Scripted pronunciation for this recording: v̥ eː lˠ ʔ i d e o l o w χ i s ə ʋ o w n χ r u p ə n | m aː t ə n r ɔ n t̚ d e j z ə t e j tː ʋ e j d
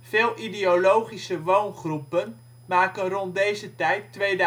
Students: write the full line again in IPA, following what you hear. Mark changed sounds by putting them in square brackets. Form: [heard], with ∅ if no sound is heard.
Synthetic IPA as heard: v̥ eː lˠ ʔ i d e o l o w χ i s ə ʋ o w n χ r u p ə n | m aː [k] ə n r ɔ n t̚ d e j z ə t [ɛ] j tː ʋ e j d